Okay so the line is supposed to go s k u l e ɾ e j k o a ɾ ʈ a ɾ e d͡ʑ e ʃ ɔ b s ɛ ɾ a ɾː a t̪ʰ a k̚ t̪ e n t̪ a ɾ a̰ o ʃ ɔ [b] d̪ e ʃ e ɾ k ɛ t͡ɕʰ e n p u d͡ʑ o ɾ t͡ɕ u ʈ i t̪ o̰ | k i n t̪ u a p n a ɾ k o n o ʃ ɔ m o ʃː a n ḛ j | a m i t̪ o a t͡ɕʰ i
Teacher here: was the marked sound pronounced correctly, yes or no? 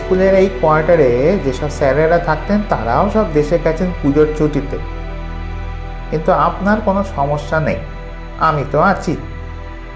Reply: yes